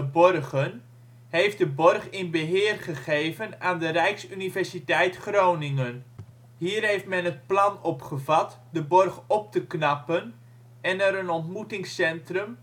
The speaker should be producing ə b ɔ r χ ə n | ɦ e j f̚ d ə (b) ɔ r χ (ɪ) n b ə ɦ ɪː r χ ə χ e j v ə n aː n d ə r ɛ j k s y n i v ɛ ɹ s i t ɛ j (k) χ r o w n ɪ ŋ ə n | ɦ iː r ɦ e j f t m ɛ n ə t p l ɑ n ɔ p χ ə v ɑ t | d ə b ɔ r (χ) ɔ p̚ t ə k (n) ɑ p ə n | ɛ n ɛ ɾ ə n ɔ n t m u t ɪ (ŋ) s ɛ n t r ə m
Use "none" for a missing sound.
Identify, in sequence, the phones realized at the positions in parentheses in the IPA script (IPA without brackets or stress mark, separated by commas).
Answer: b, ɪ, t, χ, n, ŋ